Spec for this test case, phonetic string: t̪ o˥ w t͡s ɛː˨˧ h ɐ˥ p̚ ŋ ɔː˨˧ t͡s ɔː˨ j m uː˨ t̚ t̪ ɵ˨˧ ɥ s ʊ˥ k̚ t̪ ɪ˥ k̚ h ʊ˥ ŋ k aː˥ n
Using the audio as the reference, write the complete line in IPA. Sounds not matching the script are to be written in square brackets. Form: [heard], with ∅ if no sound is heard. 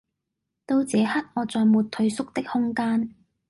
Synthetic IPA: t̪ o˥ w t͡s ɛː˨˧ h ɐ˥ [t̚] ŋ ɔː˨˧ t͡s ɔː˨ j m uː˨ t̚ [t̪ʰ] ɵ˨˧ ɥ s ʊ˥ k̚ t̪ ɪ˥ k̚ h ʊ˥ ŋ k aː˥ n